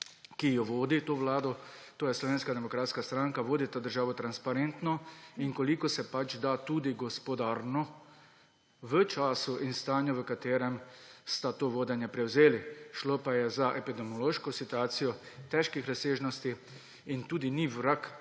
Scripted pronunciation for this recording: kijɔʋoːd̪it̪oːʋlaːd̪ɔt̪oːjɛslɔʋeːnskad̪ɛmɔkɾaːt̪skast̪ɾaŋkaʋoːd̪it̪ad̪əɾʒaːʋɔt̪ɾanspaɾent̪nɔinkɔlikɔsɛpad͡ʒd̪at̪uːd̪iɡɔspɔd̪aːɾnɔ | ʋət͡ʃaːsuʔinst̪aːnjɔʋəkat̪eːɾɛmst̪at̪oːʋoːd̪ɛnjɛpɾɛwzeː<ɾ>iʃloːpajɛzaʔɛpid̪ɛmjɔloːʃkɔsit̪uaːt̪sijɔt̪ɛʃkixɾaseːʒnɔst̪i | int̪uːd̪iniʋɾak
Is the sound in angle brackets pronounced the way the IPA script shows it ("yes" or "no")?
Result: no